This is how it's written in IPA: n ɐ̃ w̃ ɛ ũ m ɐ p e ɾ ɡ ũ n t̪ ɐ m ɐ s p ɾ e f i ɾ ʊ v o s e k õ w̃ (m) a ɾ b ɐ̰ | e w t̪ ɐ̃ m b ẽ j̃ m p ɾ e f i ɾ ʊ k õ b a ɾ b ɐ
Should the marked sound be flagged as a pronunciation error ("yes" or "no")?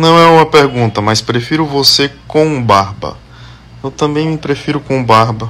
yes